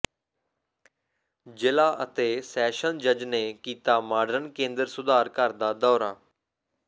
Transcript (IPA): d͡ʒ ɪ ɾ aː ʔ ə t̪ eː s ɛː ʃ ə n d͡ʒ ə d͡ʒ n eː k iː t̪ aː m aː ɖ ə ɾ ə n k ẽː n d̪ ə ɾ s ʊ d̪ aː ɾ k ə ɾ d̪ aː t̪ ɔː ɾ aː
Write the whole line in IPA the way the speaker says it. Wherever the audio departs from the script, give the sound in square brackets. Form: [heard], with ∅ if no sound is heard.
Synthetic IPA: d͡ʒ ɪ [l] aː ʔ ə t̪ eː s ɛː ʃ ə n d͡ʒ ə d͡ʒ n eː k iː t̪ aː m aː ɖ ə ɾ ə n k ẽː n d̪ ə ɾ s ʊ d̪ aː ɾ k ə ɾ d̪ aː [d̪] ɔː ɾ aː